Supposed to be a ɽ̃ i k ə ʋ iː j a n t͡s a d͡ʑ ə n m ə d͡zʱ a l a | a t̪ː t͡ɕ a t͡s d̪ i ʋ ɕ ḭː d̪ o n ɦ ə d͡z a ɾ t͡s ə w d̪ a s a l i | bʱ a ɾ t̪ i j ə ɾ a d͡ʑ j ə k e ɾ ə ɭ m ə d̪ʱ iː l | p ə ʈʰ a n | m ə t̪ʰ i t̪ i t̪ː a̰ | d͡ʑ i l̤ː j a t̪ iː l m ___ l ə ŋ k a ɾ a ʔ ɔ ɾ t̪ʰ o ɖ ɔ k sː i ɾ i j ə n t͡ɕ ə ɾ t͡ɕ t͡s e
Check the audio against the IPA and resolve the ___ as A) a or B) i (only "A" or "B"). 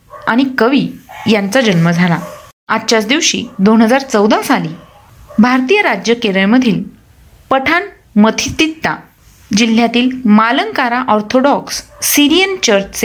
A